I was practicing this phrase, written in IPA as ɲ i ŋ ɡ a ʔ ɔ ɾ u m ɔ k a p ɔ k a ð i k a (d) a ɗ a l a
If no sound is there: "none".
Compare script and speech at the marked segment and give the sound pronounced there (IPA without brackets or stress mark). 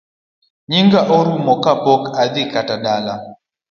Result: t